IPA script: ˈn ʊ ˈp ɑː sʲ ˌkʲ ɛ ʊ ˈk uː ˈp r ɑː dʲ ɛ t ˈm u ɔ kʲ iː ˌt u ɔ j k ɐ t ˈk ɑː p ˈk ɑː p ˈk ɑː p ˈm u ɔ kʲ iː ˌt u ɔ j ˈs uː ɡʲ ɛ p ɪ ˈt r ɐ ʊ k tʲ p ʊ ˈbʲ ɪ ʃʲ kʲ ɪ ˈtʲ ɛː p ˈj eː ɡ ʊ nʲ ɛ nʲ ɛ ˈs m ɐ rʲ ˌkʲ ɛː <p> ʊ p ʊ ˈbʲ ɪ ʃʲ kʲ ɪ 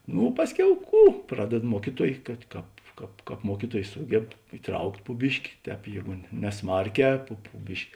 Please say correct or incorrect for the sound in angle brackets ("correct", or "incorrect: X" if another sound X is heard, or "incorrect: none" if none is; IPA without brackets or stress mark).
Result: correct